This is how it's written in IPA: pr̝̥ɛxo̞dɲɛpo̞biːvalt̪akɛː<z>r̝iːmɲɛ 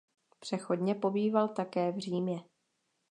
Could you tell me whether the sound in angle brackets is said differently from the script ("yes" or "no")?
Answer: yes